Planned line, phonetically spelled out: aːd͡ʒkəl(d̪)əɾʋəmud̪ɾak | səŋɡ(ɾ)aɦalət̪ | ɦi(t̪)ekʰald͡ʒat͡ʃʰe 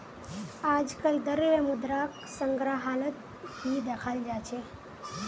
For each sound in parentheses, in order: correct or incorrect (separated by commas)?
correct, correct, incorrect